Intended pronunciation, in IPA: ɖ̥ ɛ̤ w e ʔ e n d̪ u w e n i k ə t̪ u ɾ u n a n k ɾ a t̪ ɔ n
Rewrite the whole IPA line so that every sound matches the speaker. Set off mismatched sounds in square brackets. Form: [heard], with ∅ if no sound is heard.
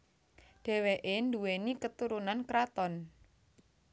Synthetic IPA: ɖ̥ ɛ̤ w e ʔ e n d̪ u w e n i k ə t̪ u ɾ u n a n k ɾ a t̪ ɔ n